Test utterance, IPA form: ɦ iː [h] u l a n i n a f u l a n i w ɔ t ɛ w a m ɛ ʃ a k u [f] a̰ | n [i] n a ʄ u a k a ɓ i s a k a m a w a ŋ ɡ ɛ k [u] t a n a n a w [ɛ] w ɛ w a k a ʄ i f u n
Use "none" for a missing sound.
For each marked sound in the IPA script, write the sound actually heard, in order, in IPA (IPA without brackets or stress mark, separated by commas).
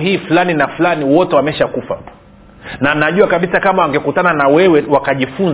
f, f, a, u, ɛ